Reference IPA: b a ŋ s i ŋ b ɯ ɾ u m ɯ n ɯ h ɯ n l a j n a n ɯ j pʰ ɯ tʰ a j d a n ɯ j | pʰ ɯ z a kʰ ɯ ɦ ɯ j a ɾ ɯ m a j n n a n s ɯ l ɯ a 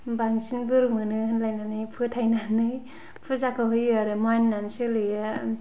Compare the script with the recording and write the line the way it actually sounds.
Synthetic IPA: b a ŋ s i n b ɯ ɾ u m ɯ n ɯ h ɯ n l a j n a n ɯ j pʰ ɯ tʰ a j n a n ɯ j | pʰ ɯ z a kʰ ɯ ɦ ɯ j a ɾ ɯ m a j n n a n s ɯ l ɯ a